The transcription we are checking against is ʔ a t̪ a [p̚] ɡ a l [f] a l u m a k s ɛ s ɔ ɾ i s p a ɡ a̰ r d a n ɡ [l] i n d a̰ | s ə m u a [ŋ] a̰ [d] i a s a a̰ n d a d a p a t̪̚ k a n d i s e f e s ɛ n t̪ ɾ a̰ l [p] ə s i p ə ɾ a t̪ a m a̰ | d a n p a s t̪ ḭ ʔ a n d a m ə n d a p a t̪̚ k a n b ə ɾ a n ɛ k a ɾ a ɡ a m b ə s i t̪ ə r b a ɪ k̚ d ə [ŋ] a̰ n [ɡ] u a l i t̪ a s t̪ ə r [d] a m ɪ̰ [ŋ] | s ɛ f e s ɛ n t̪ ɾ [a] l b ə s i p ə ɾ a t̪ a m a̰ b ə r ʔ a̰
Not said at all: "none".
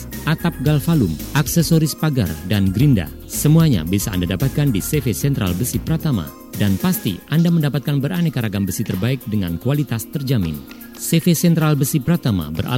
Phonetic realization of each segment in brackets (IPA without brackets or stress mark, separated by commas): p̚, f, ɾ, ɲ, b, b, ŋ, k, d͡ʒ, n, a